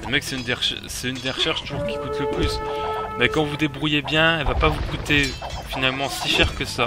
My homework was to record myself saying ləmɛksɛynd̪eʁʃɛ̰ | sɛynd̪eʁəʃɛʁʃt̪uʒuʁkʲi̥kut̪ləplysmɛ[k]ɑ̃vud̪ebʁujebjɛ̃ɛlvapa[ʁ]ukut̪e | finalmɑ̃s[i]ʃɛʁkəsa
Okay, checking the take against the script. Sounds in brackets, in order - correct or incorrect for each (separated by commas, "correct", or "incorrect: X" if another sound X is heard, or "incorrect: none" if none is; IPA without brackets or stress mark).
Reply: correct, incorrect: v, correct